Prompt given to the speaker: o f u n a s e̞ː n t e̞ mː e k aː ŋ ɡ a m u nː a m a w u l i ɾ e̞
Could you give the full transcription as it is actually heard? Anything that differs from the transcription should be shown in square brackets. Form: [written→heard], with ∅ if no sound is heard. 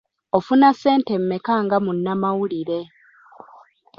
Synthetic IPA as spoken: o f u n a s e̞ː n t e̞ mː e k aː ŋ ɡ a m u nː a m a w u l i ɾ e̞